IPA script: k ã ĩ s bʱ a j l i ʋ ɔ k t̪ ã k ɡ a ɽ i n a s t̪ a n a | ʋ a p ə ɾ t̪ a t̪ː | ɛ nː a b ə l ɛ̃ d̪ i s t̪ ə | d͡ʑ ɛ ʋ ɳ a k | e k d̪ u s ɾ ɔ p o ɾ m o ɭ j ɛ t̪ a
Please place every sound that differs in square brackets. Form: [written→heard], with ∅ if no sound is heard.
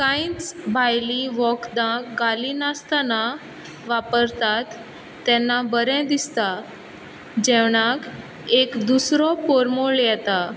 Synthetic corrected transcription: k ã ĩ [s→t͡s] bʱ a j l i ʋ ɔ k [t̪→d̪] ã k ɡ a [ɽ→l] i n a s t̪ a n a | ʋ a p ə ɾ t̪ a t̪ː | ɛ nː a b ə [l→ɾ] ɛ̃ d̪ i s t̪ [ə→a] | d͡ʑ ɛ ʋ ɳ a k | e k d̪ u s ɾ ɔ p o ɾ m o ɭ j ɛ t̪ a